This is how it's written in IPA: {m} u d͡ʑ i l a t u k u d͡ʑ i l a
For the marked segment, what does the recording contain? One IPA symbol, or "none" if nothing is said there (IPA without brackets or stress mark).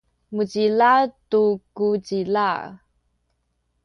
m